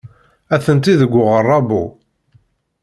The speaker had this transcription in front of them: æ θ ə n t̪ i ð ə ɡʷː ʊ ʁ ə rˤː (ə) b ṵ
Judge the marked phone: incorrect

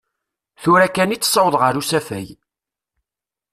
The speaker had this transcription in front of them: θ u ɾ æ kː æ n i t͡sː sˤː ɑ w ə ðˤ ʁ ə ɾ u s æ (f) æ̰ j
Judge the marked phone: correct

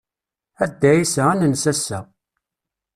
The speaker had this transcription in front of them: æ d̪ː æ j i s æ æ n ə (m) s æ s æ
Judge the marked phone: incorrect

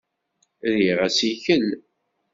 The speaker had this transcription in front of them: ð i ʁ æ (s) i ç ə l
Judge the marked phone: correct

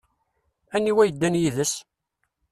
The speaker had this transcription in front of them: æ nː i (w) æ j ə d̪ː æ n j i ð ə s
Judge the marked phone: correct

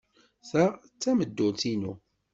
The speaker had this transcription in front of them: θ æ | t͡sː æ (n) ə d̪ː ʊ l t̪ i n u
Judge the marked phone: incorrect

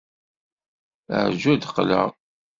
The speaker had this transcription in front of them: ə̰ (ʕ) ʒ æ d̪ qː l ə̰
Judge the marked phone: correct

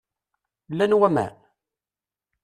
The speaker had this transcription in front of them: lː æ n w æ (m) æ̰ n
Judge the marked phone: correct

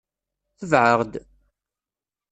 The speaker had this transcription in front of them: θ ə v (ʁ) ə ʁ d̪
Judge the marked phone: incorrect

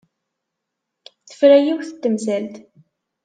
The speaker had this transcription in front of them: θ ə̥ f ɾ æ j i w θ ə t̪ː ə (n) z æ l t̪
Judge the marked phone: incorrect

